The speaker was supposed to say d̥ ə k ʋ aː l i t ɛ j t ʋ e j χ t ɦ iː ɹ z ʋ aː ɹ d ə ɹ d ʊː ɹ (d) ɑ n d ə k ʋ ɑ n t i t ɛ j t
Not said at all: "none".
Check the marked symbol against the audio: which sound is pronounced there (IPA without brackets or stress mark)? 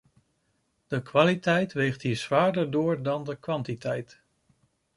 d